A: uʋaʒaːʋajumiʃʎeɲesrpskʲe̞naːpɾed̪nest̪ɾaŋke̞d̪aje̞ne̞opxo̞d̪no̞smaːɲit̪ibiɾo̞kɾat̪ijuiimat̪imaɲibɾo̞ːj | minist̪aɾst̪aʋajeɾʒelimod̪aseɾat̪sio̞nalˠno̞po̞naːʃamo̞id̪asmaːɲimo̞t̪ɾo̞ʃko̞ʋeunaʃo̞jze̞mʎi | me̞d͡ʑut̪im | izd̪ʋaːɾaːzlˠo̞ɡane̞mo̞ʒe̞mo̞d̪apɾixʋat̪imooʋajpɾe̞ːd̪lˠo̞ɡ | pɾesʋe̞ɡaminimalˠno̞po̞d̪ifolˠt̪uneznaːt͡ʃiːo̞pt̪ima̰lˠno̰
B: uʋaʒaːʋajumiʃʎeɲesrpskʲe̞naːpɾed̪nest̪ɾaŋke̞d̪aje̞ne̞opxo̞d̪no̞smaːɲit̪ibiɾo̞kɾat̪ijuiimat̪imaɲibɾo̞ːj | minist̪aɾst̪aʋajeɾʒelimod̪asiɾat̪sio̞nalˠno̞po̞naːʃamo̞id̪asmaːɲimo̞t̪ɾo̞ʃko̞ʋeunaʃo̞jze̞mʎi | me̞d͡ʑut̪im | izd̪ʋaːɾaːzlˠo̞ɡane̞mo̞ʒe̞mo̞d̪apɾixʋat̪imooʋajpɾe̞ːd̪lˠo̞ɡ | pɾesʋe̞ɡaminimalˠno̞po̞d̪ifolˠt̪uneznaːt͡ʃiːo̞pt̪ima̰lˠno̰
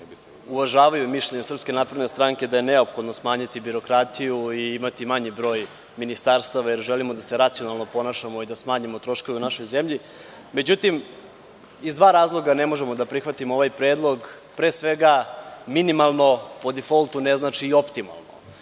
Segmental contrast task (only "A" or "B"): A